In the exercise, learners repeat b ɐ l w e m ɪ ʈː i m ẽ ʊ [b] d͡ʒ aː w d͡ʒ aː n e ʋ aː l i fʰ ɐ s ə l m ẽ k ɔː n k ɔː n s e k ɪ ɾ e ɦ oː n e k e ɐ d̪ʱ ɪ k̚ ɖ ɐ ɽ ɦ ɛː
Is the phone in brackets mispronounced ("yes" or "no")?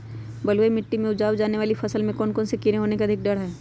yes